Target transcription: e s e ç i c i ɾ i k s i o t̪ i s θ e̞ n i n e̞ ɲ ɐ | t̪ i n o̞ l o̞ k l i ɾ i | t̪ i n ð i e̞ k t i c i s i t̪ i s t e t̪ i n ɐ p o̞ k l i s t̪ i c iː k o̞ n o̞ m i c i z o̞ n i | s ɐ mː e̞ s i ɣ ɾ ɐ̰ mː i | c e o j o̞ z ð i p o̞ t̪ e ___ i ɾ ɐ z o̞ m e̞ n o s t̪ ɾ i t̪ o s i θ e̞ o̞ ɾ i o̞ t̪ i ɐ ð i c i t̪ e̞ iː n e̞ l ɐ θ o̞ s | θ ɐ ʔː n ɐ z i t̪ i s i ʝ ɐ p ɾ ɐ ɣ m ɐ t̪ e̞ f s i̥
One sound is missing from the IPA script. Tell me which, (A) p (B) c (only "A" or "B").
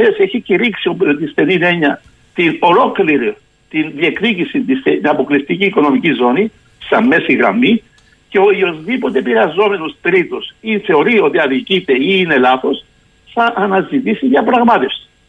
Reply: A